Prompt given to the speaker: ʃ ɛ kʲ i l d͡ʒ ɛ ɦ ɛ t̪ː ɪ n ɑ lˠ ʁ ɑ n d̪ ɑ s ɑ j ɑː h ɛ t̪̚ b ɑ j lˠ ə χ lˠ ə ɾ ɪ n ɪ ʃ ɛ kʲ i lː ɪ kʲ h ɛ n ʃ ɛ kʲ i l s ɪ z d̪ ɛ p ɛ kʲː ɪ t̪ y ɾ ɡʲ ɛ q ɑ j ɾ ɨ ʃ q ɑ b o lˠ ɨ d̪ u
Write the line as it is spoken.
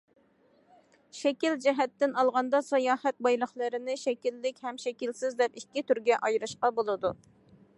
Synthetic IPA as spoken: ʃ ɛ kʲ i l d͡ʒ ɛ ɦ ɛ t̪ː ɪ n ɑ lˠ ʁ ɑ n d̪ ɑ s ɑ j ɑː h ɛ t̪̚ b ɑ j lˠ ə χ lˠ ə ɾ ɪ n ɪ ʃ ɛ kʲ i lː ɪ kʲ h ɛ m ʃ ɛ kʲ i l s ɪ z d̪ ɛ p i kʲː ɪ t̪ y ɾ ɡʲ ɛ ʔ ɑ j ɾ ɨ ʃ q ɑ b o lˠ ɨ d̪ u

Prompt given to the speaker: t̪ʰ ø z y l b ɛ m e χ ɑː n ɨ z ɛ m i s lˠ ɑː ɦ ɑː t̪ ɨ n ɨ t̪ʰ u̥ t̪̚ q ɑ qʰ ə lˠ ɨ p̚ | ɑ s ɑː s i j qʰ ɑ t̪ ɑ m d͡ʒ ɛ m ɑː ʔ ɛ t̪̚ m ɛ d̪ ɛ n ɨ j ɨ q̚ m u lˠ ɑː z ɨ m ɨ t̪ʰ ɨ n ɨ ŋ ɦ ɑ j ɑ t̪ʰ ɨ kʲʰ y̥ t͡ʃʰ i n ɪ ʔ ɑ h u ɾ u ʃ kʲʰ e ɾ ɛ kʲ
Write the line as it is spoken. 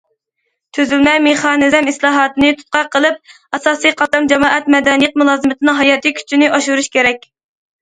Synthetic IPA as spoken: t̪ʰ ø z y l m ɛ m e χ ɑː n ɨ z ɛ m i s lˠ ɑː ɦ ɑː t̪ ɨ n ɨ t̪ʰ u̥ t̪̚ q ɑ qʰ ə lˠ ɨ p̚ | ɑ s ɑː s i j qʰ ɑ t̪ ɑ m d͡ʒ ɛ m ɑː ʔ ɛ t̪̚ m ɛ d̪ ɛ n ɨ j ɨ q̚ m u lˠ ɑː z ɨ m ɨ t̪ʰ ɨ n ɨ ŋ ɦ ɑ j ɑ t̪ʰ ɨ kʲʰ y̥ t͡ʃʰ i n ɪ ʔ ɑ ʃ u ɾ u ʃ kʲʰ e ɾ ɛ kʲ

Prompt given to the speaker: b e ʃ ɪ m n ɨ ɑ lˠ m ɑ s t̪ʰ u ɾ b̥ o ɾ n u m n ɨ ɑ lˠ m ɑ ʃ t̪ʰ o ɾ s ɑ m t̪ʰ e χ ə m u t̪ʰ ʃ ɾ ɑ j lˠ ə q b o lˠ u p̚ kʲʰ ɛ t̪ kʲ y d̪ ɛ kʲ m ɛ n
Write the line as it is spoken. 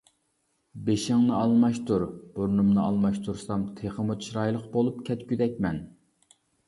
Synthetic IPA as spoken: b e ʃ ɪ ŋ n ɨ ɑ lˠ m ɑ ʃ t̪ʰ u ɾ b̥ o ɾ n u m n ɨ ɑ lˠ m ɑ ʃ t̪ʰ u ɾ s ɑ m t̪ʰ e χ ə m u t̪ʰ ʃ ɾ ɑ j lˠ ə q b o lˠ u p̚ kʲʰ ɛ t̪ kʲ y d̪ ɛ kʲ m ɛ n

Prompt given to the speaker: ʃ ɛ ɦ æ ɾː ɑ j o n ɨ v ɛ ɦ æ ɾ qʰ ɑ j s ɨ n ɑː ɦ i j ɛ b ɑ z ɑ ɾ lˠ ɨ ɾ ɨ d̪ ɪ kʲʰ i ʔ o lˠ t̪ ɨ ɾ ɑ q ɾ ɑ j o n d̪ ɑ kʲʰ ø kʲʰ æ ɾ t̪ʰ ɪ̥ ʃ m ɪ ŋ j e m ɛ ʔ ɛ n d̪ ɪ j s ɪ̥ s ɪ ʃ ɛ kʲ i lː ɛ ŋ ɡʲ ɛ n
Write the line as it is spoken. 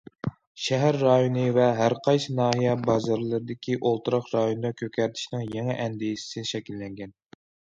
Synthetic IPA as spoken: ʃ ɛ ɦ æ ɾː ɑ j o n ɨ v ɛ ɦ æ ɾ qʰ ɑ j s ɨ n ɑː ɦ i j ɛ b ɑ z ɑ ɾ lˠ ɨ ɾ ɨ d̪ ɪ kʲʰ i ʔ o lˠ t̪ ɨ ɾ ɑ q ɾ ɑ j o n d̪ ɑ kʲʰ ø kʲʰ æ ɾ t̪ʰ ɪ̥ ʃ n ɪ ŋ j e ŋ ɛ ʔ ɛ n d̪ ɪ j s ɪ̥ s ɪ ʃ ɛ kʲ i lː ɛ ŋ ɡʲ ɛ n

